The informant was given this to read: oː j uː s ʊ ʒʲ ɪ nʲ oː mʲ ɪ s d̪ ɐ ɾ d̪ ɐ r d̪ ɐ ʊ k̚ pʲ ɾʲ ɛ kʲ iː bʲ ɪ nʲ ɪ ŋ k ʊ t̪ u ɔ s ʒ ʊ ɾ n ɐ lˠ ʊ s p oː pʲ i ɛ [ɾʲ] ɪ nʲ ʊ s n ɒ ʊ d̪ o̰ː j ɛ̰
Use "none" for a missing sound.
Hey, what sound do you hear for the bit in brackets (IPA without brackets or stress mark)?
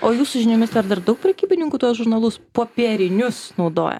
ɾʲ